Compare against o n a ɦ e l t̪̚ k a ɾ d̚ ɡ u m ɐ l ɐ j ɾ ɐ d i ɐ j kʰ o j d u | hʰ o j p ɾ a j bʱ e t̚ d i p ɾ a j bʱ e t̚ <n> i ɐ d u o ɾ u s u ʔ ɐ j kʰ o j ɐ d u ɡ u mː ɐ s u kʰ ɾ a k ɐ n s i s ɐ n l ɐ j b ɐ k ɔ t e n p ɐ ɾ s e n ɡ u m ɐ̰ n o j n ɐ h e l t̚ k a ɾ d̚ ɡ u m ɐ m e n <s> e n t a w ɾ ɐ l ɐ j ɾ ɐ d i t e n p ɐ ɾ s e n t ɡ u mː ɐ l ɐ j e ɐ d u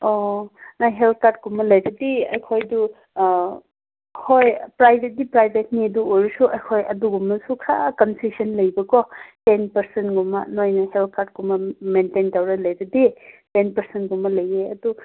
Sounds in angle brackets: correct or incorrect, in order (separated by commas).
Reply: correct, incorrect